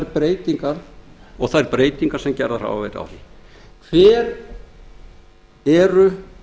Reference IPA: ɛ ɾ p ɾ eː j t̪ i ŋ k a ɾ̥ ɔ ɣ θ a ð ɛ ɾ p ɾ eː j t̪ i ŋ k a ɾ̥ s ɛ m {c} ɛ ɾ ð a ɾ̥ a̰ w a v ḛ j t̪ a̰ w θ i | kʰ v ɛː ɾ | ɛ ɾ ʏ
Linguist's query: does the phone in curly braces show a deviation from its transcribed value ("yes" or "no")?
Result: no